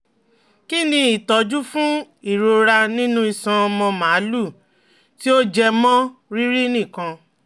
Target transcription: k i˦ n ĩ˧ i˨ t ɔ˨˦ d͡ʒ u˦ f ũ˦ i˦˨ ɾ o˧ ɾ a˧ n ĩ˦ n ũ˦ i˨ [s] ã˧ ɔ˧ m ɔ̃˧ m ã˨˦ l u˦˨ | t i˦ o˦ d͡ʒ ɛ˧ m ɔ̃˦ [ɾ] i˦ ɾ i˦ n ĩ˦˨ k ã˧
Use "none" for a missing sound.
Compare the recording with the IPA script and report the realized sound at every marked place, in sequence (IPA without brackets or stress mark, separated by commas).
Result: s, ɾ